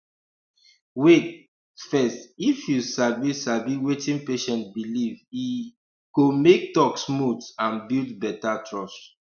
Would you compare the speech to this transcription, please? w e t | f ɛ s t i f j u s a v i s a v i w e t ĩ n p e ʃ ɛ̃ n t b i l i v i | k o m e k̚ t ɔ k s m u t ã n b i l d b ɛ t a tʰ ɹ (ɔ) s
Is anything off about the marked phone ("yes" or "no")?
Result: no